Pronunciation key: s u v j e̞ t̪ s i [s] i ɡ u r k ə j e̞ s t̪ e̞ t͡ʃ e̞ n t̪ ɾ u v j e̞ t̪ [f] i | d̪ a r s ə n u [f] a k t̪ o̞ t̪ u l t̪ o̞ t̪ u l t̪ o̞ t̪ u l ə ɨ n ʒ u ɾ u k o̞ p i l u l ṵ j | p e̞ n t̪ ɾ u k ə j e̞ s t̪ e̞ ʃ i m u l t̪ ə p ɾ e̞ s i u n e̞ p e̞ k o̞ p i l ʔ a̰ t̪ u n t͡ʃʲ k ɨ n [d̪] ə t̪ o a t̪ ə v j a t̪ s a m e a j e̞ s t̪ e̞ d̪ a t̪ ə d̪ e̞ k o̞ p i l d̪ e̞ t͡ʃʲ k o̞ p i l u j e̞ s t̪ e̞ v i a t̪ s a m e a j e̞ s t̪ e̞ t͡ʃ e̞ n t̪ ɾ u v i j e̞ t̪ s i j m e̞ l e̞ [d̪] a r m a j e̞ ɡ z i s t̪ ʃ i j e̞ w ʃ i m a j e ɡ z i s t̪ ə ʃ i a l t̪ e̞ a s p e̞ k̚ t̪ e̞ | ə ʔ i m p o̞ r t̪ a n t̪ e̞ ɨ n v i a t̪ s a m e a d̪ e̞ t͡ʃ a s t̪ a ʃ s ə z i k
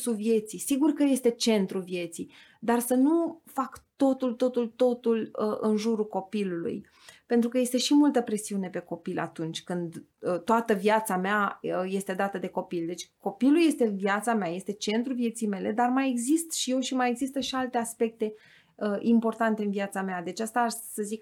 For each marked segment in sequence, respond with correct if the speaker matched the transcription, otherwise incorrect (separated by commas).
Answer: correct, incorrect, correct, correct, correct